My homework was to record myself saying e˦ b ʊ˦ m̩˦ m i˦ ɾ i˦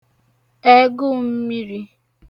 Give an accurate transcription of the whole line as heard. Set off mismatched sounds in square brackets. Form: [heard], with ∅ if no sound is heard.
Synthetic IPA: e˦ [ɡ] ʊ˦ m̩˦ m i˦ ɾ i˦

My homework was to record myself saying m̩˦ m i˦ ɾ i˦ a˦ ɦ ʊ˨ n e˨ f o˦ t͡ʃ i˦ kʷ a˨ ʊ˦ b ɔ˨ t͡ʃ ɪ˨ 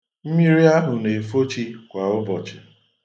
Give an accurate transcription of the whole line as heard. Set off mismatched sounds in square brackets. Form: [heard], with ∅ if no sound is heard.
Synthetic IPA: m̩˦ m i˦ ɾ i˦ a˦ ɦ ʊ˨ n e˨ f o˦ t͡ʃ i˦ kʷ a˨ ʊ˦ b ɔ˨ t͡ʃ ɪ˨

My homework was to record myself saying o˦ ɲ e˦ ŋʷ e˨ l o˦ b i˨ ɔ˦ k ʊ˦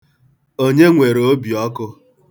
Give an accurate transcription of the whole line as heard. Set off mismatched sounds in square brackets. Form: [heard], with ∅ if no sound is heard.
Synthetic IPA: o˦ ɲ e˦ ŋʷ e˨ [ɾ] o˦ b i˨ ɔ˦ k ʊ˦

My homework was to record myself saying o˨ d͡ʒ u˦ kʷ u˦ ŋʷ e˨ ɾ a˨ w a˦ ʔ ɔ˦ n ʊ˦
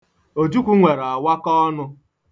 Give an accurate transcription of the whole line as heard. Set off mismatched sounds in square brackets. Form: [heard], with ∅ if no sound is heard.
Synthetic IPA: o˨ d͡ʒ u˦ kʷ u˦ ŋʷ e˨ ɾ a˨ w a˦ [k] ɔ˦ n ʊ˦

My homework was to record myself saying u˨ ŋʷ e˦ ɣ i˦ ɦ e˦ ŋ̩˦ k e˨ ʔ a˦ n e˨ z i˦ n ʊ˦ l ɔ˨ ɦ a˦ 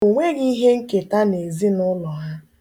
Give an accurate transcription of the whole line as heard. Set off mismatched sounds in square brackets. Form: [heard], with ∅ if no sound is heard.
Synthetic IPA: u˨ ŋʷ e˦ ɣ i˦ ɦ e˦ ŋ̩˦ k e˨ [t] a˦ n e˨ z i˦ n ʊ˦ l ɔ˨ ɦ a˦

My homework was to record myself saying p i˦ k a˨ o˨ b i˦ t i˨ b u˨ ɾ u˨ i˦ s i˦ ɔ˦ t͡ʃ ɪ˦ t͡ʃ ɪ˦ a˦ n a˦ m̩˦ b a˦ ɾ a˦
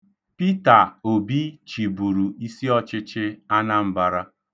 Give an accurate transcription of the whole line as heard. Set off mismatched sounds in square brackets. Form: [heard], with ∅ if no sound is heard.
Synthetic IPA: p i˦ [t] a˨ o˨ b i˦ [t͡ʃ] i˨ b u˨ ɾ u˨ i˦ s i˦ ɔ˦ t͡ʃ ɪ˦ t͡ʃ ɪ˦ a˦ n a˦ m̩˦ b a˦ ɾ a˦

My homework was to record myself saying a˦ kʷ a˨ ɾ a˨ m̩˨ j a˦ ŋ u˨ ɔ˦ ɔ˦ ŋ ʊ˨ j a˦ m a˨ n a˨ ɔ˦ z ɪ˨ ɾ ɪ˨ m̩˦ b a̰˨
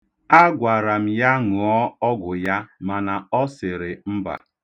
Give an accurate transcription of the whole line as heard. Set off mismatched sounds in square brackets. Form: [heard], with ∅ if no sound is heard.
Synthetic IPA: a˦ [ɡʷ] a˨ ɾ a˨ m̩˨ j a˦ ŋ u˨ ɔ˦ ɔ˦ [ɡ] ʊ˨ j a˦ m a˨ n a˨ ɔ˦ [s] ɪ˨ ɾ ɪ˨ m̩˦ b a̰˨

